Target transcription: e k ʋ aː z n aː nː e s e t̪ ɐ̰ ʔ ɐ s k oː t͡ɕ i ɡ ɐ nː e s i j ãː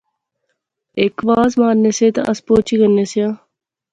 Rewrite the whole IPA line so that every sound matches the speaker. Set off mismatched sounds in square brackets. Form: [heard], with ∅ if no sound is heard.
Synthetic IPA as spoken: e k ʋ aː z [m] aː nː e s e t̪ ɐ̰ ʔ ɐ s [p] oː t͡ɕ i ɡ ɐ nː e s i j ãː